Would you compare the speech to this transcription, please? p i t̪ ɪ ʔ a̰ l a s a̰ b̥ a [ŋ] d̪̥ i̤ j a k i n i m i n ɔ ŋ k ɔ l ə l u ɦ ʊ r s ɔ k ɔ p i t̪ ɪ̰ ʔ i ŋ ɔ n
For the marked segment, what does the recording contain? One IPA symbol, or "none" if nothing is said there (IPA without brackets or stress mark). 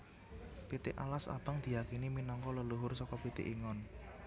ŋ